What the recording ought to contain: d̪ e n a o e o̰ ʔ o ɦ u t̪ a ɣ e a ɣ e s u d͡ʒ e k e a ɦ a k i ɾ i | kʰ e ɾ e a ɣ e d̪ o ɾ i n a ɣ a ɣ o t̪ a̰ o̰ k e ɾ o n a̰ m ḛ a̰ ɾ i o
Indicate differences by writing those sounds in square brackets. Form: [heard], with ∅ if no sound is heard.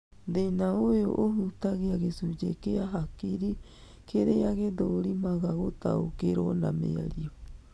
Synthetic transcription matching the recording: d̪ e n a o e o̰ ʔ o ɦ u t̪ a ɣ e a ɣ e s u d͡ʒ e k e a ɦ a k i ɾ i | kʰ e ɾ e a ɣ e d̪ o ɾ i [m] a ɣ a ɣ o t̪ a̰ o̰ k e ɾ o n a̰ m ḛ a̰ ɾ i o